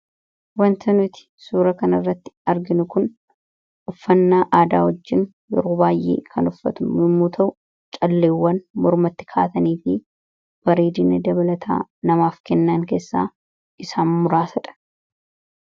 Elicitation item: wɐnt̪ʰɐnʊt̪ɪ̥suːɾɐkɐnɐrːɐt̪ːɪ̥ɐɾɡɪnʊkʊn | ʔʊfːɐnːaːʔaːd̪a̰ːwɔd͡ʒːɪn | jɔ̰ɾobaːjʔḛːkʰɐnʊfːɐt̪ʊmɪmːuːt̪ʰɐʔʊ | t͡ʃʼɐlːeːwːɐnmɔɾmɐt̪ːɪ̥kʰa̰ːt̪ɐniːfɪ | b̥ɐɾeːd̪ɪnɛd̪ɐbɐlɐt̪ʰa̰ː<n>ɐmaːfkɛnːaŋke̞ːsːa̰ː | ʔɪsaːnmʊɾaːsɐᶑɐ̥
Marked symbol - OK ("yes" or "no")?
yes